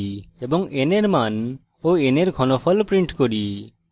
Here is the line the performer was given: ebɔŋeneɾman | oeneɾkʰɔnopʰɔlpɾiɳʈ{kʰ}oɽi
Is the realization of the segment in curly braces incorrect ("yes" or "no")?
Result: yes